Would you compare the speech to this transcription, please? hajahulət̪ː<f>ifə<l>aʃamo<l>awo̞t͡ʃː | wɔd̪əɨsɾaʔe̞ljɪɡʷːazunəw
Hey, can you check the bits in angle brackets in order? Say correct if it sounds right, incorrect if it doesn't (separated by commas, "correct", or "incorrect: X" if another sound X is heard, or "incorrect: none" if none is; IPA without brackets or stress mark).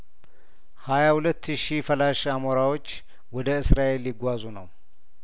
incorrect: ʃ, correct, incorrect: ɾ